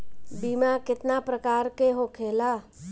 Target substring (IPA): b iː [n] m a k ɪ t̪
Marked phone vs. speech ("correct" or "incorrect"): incorrect